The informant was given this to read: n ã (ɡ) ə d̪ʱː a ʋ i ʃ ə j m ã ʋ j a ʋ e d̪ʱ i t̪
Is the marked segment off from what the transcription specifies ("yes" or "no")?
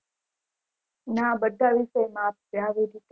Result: yes